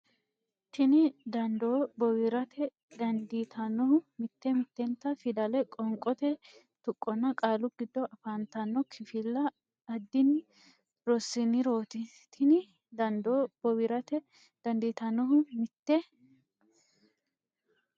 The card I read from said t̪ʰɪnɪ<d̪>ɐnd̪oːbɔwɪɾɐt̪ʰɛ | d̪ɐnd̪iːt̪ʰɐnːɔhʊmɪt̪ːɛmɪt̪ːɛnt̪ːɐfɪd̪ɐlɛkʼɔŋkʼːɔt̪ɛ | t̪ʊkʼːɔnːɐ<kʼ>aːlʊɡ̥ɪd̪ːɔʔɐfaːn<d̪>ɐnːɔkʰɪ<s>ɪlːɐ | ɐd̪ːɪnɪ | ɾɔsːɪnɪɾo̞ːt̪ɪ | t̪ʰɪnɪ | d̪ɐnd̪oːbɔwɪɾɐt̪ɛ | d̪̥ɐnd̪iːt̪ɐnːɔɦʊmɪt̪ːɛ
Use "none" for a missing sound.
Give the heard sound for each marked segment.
d̪, kʼ, t̪, f

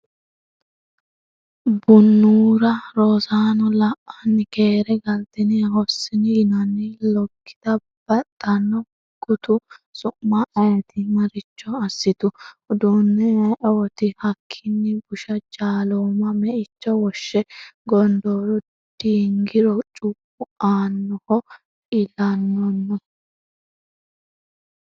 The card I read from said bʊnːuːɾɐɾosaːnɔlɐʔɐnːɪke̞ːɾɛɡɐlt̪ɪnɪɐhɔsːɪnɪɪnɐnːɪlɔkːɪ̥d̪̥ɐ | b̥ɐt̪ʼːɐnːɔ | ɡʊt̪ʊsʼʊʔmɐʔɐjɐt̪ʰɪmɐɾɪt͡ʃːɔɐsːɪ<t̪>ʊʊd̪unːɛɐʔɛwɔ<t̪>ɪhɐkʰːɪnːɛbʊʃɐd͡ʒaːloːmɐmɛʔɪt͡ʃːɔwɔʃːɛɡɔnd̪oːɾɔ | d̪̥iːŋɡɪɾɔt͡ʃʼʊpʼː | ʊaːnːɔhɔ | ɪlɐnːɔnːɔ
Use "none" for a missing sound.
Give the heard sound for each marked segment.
t̪, t̪

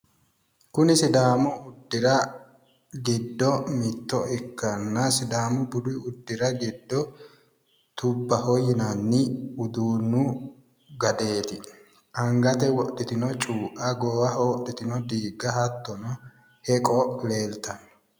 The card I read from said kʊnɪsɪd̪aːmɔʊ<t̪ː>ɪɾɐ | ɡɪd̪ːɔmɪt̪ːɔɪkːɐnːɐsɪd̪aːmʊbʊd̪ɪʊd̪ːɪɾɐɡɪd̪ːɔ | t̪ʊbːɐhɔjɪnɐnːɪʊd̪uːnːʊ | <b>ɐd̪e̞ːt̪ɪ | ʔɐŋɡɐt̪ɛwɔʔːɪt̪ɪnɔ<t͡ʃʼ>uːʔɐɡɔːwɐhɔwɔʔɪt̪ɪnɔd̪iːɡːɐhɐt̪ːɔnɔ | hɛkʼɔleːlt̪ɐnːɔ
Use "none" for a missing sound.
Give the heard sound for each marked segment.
d̪ː, ɡ, t͡ʃʼ

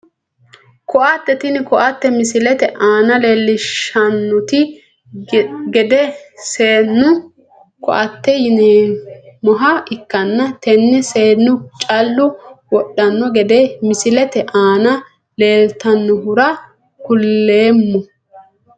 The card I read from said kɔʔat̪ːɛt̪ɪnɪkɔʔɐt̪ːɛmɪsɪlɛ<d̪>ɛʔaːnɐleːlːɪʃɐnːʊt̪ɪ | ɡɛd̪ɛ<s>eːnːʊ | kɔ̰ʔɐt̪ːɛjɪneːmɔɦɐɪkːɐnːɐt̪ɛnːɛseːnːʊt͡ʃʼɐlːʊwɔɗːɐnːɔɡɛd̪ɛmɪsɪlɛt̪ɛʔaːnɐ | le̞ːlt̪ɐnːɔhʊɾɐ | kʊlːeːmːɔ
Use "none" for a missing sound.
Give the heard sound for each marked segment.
t̪, s

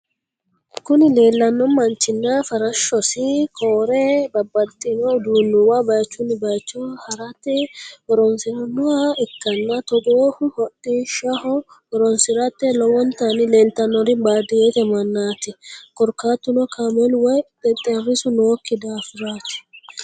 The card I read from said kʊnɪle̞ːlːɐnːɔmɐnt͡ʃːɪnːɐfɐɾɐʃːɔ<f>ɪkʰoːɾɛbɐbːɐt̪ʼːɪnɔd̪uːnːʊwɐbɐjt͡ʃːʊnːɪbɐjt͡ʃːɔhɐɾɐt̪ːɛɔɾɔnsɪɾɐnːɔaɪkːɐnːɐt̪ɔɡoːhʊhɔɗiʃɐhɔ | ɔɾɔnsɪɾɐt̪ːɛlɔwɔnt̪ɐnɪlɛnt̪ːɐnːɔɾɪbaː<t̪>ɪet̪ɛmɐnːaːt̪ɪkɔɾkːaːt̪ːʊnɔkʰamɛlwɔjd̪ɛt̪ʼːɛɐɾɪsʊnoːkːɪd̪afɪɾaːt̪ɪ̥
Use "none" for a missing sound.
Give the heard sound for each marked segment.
s, d̪

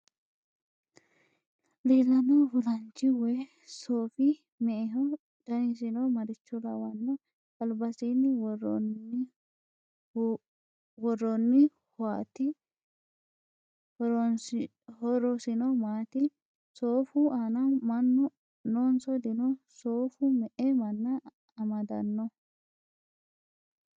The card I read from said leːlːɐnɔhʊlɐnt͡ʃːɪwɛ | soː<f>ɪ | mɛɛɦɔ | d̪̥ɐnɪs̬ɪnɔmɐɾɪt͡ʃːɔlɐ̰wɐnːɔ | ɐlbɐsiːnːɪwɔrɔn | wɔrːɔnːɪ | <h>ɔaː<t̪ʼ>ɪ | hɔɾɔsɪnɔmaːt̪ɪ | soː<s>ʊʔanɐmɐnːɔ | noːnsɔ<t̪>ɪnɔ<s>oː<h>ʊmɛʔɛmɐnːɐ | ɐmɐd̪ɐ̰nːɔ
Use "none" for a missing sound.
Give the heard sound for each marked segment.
f, h, t̪, f, d̪, s, f

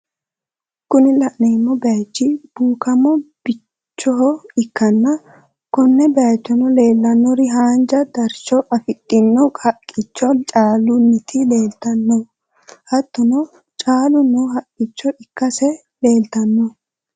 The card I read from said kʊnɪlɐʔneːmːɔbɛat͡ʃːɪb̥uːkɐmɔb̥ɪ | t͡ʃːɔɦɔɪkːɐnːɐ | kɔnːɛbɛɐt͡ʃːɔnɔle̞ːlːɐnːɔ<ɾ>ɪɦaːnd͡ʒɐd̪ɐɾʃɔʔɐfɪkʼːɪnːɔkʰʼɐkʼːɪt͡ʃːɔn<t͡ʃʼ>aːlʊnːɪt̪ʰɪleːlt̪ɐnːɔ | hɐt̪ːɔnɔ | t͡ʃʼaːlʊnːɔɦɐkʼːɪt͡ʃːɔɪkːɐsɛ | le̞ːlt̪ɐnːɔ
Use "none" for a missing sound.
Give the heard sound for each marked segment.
ɾ, t͡ʃʼ

